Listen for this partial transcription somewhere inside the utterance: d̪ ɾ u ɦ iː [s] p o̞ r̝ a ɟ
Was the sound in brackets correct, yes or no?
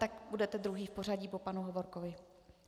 no